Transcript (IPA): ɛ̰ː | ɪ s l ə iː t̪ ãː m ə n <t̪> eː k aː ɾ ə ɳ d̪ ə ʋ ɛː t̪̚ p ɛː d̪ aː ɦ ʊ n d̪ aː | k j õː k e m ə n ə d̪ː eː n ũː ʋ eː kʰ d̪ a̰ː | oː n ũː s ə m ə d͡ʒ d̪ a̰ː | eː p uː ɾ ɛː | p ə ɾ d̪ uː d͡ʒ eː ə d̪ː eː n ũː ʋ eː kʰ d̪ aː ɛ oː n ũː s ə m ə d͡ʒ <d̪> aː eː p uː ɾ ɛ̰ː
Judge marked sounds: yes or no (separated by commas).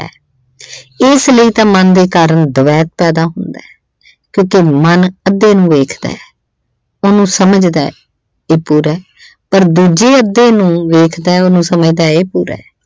no, yes